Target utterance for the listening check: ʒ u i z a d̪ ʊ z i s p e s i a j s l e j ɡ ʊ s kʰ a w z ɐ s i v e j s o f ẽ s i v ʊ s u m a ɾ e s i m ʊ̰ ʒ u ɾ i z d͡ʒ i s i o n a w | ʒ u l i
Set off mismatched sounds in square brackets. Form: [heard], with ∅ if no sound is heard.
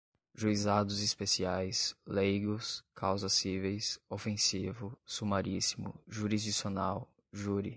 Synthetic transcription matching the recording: ʒ u i z a d̪ ʊ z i s p e s i a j s l e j ɡ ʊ s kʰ a w z ɐ s i v e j s o f ẽ s i v ʊ s u m a ɾ [i] s i m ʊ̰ ʒ u ɾ i z d͡ʒ i s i o n a w | ʒ u [ɾ] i